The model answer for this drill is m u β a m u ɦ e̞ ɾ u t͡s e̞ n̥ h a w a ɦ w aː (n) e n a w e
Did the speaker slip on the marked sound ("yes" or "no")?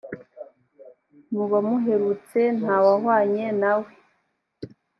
yes